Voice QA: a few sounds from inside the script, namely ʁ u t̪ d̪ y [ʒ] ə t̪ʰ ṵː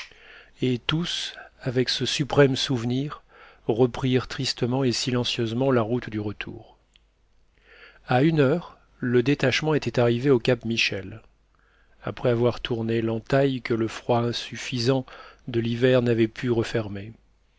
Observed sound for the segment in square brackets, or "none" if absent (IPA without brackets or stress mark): ʁ